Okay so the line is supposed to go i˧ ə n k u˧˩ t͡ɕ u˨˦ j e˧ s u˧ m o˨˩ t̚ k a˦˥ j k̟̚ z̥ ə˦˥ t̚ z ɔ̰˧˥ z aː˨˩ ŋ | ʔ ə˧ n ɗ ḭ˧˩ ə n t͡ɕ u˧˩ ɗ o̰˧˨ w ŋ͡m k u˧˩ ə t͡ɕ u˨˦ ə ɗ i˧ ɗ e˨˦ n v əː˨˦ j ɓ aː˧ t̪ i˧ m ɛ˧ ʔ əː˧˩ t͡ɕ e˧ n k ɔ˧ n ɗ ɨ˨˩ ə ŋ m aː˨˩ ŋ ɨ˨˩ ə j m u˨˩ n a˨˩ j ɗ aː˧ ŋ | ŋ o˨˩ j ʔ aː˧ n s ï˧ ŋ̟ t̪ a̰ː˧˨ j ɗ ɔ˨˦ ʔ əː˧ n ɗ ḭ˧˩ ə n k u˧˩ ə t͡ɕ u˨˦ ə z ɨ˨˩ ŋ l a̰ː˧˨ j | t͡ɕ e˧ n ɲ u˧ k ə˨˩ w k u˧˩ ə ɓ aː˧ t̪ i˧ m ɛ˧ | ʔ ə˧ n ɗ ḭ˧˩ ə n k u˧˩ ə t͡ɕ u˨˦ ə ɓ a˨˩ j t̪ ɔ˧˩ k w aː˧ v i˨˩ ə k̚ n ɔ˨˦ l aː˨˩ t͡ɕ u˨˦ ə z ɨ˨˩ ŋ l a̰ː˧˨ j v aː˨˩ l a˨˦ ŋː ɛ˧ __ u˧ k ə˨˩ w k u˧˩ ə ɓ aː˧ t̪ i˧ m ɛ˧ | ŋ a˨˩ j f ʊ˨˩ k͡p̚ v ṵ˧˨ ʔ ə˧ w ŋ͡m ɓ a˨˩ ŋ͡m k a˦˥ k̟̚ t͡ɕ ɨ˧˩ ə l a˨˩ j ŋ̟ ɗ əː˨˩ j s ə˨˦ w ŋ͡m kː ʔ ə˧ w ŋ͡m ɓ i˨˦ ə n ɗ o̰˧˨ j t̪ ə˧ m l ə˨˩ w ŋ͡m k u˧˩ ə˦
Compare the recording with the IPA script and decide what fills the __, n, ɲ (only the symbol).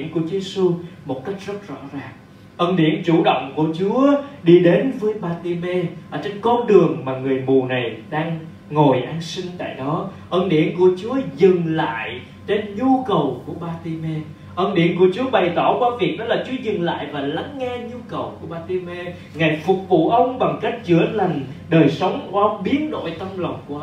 ɲ